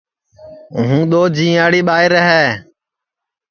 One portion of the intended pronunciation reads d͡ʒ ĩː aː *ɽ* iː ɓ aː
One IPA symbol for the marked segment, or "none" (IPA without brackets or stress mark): ɽ